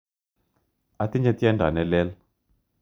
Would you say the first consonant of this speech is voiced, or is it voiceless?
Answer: voiceless